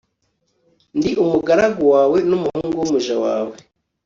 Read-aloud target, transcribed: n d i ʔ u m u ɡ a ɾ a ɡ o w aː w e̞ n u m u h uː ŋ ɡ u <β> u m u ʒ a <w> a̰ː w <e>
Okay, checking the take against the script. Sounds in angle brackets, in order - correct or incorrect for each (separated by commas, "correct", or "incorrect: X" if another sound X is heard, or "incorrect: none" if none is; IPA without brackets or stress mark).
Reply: incorrect: w, correct, correct